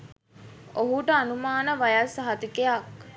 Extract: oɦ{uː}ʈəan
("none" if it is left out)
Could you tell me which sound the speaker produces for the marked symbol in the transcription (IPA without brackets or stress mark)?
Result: u